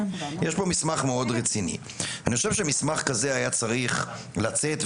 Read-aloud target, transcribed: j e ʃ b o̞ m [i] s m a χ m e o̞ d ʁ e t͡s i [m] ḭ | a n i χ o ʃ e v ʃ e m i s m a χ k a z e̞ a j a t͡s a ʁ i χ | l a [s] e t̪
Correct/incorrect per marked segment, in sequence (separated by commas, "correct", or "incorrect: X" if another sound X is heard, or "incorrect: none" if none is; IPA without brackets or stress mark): correct, incorrect: n, incorrect: t͡s